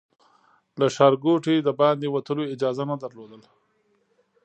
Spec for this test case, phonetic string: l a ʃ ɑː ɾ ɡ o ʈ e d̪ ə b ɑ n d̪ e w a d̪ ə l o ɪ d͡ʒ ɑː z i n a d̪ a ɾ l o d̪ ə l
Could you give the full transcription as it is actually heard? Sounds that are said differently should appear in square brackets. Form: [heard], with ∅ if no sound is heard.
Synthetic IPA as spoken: l a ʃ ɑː ɾ ɡ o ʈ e d̪ ə b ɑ n d̪ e w a [t̪] ə l o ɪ d͡ʒ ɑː z [a] n a d̪ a ɾ l o d̪ ə l

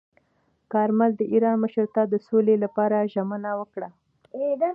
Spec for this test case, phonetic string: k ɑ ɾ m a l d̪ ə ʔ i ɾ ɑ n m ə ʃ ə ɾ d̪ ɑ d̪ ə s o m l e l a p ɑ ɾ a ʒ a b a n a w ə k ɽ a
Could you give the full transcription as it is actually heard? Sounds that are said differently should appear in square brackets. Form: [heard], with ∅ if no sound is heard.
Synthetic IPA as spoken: k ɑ ɾ m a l d̪ ə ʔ i ɾ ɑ n m ə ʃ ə ɾ [t̪] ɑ d̪ ə s o [∅] l e l a p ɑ ɾ a ʒ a [m] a n a w ə k ɽ a

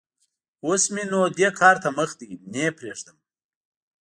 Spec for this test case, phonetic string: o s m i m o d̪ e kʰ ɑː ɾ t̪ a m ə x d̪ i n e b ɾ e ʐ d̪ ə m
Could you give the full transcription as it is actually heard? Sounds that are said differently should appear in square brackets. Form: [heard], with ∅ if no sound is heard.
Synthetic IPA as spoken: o s m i [n] o d̪ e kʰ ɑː ɾ t̪ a m ə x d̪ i n e [p] ɾ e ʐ d̪ ə m

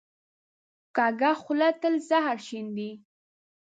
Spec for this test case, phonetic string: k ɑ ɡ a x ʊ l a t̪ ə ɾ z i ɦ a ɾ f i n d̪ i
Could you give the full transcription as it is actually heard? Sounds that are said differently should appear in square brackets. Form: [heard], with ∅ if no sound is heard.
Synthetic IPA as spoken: k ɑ ɡ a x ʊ l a t̪ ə [l] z [a] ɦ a ɾ [ʃ] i n d̪ i

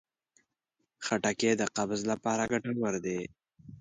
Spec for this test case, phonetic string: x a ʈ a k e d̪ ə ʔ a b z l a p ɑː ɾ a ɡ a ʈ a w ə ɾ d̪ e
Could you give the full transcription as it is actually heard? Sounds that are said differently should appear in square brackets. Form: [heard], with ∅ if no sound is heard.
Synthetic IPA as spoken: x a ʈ a k e d̪ ə [q] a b z l a p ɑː ɾ a ɡ a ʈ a w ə ɾ d̪ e

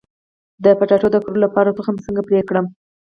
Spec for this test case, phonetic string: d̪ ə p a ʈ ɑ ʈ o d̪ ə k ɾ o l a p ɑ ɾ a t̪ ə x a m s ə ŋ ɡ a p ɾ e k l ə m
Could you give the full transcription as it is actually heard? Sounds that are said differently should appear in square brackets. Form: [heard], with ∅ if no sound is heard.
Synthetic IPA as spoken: d̪ ə p a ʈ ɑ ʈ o d̪ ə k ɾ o l a p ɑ ɾ a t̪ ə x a m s ə ŋ ɡ a p ɾ e k [ɽ] ə m

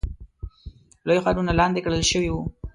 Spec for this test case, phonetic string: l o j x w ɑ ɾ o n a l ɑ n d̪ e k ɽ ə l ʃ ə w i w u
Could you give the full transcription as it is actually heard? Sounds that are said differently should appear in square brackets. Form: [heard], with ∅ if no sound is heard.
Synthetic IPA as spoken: l o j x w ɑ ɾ [u] n a l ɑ n d̪ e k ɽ ə l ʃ ə w i w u

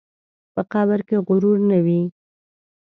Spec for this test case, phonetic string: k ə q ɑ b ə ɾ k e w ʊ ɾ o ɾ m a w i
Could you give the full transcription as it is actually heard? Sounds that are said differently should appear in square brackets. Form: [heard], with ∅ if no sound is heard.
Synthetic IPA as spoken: [p] ə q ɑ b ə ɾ k e [ɣ] ʊ ɾ [u] ɾ [n] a w i

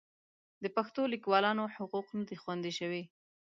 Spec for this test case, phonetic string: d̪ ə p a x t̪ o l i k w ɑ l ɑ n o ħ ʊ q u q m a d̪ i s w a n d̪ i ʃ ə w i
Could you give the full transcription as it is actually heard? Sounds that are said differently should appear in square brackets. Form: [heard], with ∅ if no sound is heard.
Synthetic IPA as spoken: d̪ ə p a x t̪ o l i k w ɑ l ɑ n o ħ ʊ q u q [n] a d̪ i [x] w a n d̪ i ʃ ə w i

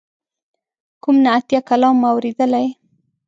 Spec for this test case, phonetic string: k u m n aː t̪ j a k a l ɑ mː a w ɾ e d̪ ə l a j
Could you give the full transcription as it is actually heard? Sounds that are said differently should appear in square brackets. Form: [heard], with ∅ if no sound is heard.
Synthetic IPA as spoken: k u m n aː t̪ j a k a l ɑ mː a w ɾ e d̪ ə l a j

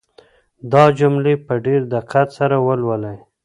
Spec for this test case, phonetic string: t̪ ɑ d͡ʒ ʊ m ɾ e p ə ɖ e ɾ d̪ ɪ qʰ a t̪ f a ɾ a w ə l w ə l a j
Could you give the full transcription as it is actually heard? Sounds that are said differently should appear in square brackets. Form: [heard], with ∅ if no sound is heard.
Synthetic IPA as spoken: [d̪] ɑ d͡ʒ ʊ m [l] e p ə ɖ e ɾ d̪ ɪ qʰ a t̪ [s] a ɾ a w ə l w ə l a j

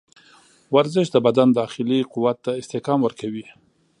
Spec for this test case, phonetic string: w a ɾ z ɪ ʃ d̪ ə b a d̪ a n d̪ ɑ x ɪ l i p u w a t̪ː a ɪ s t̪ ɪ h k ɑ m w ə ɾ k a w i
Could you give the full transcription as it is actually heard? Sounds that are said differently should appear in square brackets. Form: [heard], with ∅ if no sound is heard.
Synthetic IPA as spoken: w a ɾ z ɪ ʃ d̪ ə b a d̪ a n d̪ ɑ x ɪ l i [q] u w a t̪ː a ɪ s t̪ ɪ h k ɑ m w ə ɾ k a w i

